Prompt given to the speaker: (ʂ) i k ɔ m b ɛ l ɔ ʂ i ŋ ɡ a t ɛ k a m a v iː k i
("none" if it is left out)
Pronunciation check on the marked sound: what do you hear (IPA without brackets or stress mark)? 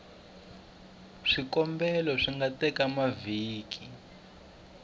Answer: ʂ